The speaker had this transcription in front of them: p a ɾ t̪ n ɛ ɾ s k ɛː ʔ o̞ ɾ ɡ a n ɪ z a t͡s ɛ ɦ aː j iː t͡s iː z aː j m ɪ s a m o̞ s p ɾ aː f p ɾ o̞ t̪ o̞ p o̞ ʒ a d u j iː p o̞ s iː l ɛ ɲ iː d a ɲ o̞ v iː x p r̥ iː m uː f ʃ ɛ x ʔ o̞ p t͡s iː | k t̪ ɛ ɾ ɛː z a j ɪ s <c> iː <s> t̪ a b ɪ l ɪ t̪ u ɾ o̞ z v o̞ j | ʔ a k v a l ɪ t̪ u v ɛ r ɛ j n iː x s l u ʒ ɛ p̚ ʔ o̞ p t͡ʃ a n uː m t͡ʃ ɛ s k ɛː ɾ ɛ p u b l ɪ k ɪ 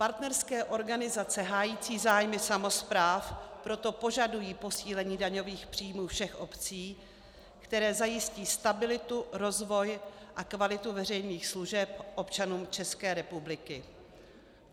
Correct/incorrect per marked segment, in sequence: correct, correct

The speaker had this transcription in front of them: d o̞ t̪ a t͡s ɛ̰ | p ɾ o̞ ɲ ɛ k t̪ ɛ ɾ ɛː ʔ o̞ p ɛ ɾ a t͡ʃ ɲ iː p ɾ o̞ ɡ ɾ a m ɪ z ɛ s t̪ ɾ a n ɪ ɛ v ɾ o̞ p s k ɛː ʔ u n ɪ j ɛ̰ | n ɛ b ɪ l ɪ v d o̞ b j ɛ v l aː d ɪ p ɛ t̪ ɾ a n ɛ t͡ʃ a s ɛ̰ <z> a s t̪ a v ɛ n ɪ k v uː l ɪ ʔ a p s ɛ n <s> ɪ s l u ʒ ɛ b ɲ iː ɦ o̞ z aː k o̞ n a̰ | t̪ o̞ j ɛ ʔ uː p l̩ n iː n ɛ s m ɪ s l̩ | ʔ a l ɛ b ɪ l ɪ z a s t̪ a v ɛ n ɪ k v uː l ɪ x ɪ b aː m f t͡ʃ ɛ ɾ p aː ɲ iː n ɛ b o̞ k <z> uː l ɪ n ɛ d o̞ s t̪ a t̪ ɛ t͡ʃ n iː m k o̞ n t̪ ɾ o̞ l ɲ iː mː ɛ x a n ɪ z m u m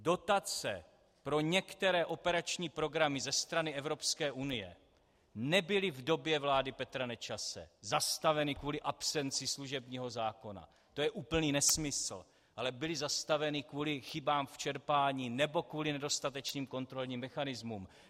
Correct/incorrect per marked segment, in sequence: correct, incorrect, incorrect

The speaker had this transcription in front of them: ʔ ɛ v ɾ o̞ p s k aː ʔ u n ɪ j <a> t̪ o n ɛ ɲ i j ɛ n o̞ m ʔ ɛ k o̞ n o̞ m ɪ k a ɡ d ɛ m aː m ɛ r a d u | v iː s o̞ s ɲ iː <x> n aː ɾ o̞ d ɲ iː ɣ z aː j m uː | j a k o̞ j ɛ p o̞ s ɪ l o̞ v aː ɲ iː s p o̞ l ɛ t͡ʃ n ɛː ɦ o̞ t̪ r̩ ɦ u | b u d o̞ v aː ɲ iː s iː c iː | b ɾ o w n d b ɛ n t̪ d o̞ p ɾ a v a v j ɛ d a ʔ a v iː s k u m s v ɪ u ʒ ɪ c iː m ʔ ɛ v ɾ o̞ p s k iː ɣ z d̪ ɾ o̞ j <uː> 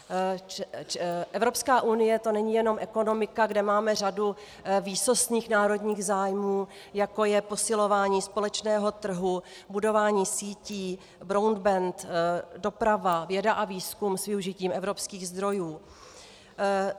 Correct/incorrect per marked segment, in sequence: incorrect, correct, correct

